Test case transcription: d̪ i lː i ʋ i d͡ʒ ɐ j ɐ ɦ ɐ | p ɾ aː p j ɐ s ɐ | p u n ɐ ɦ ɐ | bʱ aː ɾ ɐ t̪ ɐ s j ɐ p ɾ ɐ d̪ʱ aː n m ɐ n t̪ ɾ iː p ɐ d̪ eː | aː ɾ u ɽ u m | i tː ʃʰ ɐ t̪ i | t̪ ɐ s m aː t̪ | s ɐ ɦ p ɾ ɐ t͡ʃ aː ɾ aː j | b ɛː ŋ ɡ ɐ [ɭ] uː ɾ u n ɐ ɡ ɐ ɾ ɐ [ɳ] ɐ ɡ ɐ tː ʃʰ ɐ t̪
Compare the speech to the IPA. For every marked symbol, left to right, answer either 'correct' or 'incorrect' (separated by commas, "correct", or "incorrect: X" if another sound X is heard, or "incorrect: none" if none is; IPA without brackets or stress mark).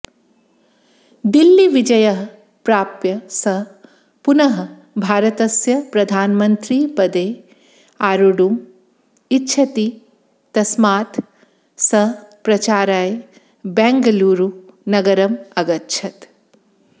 incorrect: l, incorrect: m